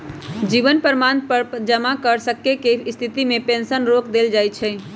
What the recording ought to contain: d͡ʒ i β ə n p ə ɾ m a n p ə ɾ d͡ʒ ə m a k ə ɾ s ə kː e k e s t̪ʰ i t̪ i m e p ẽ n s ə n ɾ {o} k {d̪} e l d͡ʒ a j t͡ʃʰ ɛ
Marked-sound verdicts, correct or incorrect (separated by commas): correct, correct